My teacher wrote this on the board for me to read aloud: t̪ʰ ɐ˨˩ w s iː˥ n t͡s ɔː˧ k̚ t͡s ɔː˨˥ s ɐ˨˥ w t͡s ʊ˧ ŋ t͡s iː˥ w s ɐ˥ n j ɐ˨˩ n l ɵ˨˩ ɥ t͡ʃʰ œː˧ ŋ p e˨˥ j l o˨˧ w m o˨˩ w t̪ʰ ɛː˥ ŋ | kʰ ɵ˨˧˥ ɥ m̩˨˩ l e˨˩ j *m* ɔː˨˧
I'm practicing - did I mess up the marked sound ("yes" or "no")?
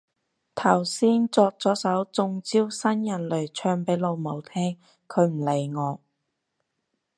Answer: yes